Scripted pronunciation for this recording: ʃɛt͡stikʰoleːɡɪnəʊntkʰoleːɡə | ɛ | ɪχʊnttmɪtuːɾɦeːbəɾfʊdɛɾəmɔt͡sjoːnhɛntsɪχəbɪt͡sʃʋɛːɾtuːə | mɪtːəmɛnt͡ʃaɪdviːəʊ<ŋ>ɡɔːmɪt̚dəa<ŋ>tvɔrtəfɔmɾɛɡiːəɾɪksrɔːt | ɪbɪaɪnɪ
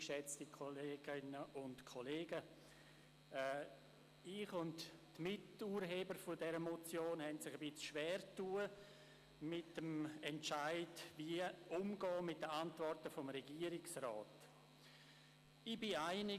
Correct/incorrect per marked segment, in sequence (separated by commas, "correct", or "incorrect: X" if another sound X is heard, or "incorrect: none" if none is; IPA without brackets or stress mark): incorrect: m, incorrect: n